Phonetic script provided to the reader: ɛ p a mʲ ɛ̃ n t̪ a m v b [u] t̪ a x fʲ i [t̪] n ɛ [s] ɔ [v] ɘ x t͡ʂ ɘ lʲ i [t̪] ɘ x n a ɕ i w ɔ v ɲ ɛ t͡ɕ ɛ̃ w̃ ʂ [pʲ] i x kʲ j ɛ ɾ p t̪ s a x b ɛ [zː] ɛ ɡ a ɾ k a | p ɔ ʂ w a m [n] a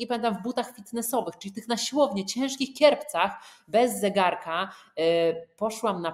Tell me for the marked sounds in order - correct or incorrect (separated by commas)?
correct, correct, correct, correct, correct, incorrect, correct, correct